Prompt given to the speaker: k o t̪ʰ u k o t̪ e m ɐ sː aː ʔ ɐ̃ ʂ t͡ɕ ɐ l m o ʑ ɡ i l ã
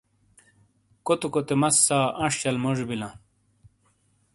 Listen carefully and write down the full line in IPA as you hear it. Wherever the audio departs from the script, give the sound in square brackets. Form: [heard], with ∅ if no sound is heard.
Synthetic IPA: k o [t̪] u k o t̪ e m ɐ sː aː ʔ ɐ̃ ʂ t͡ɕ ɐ l m o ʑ [b] i l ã